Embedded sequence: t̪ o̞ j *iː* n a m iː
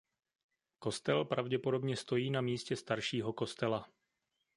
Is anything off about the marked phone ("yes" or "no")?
no